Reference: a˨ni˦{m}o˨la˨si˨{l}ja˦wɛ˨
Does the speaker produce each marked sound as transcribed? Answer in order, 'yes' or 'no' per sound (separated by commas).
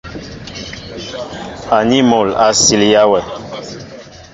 yes, yes